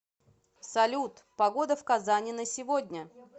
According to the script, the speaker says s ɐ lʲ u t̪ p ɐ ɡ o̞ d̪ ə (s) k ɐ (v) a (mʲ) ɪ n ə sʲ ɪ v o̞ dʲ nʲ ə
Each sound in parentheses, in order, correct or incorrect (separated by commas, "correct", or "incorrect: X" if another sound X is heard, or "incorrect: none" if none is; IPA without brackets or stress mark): incorrect: f, incorrect: z, incorrect: nʲ